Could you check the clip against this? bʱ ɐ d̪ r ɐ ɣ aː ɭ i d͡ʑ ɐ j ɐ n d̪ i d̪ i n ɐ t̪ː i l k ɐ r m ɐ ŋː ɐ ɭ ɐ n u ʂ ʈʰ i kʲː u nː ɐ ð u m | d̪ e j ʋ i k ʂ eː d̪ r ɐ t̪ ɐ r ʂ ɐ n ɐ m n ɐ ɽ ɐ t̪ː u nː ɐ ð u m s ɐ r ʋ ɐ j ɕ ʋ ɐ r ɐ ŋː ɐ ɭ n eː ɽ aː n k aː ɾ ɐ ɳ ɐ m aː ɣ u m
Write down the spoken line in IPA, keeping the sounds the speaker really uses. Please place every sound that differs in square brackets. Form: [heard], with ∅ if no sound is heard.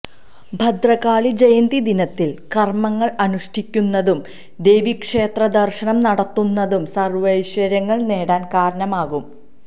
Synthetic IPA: bʱ ɐ d̪ r ɐ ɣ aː ɭ i d͡ʑ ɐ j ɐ n d̪ i d̪ i n ɐ t̪ː i l k ɐ r m ɐ ŋː ɐ ɭ ɐ n u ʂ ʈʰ i kʲː u nː ɐ ð u m | d̪ e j ʋ i k ʂ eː [t̪] r ɐ [d̪] ɐ r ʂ ɐ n ɐ m n ɐ ɽ ɐ t̪ː u nː ɐ ð u m s ɐ r ʋ ɐ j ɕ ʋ ɐ [ɾ] ɐ ŋː ɐ ɭ n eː ɽ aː n k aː ɾ ɐ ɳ ɐ m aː ɣ u m